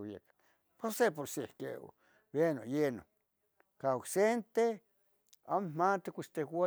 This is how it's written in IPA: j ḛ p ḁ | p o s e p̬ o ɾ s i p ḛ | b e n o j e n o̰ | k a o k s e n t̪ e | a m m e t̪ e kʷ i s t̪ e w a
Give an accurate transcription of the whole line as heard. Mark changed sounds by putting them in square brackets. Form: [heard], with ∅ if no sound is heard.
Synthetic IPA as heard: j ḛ [k] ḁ | p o s e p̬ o ɾ s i [k] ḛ | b e n o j e n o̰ | k a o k s e n t̪ e | a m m [a] t̪ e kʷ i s t̪ e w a

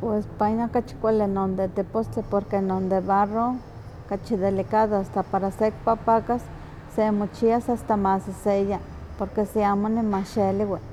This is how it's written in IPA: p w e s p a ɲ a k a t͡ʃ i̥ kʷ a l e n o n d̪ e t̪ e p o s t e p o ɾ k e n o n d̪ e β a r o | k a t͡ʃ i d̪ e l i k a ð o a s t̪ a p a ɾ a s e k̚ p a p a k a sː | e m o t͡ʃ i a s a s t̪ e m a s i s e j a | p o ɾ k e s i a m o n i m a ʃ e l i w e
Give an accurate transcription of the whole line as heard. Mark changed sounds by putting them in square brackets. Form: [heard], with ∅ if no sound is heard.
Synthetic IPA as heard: p w e s p a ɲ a k a t͡ʃ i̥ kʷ a l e n o n d̪ e t̪ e p o s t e p o ɾ k e n o n d̪ e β a r o | k a t͡ʃ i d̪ e l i k a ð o a s t̪ a p a ɾ a s e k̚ p a p a k a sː | e m o t͡ʃ i a s a s t̪ [a] m a s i s e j a | p o ɾ k e s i a m o n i m a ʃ e l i w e

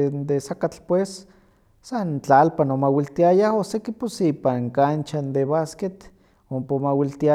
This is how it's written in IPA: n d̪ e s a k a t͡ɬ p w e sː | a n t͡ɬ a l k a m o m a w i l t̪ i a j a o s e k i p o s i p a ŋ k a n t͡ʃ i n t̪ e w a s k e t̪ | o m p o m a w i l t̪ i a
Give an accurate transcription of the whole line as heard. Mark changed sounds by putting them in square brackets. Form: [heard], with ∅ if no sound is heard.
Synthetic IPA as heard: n d̪ e s a k a t͡ɬ p w e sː | a n t͡ɬ a l [p] a [n] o m a w i l t̪ i a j a o s e k i p o s i p a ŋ k a n t͡ʃ [a] n [d̪] e [β] a s k e t̪ | o m p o m a w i l t̪ i a

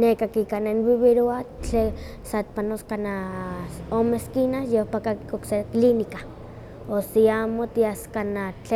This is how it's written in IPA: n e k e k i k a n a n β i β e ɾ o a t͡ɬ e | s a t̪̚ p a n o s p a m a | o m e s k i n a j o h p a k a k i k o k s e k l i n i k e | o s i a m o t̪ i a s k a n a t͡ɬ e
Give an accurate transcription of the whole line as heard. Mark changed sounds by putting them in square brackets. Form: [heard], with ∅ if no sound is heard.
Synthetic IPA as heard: n e k [a] k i k a n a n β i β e ɾ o a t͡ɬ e | s a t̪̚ p a n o s [k] a [n] a | o m e s k i n a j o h p a k a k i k o k s e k l i n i k [a] | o s i a m o t̪ i a s k a n a t͡ɬ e

